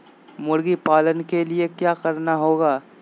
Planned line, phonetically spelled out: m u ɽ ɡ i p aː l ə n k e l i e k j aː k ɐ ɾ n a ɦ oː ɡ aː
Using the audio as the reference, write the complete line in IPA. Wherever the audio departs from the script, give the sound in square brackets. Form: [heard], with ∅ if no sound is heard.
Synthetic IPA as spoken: m [ʊ] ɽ ɡ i p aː l ə n k e l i e k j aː k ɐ ɾ n a ɦ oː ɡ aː